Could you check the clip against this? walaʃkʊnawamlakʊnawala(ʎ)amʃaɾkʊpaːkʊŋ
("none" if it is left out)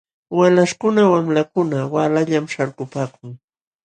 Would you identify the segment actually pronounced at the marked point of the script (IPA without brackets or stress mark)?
ʎ